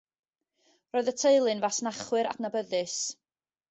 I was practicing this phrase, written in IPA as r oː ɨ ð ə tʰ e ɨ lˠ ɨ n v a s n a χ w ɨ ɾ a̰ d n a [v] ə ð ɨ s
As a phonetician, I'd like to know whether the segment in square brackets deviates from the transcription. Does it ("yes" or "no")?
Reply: yes